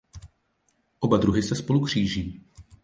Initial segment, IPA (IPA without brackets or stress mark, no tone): ʔ